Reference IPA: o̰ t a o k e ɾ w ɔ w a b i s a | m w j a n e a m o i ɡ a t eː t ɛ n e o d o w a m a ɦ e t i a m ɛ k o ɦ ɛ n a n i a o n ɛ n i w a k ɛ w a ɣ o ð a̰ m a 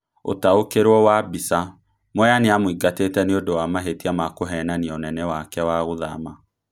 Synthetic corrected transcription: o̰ t a o k e ɾ w ɔ w a b i s a | m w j a n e a m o i ɡ a t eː t ɛ n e o d o w a m a ɦ e t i a m a k o ɦ ɛ n a n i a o n ɛ n ɛ w a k ɛ w a ɣ o ð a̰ m a